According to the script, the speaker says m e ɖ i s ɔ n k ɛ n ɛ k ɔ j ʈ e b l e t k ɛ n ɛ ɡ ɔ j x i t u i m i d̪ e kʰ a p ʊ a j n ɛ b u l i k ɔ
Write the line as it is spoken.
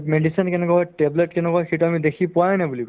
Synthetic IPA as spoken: m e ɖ i s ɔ n k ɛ n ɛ k ɔ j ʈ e b l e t k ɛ n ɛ k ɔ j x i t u a m i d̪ e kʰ i p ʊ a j n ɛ b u l i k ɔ